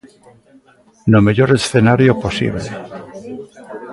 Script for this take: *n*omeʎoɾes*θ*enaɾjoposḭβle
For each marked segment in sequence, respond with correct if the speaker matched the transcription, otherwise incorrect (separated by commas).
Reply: correct, correct